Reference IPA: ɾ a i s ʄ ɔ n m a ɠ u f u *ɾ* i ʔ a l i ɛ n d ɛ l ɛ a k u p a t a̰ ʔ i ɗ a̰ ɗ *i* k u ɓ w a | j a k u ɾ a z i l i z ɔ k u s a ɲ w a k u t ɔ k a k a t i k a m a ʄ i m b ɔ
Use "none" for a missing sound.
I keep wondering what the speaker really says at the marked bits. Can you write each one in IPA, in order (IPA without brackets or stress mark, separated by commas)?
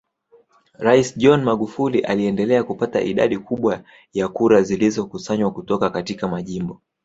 l, i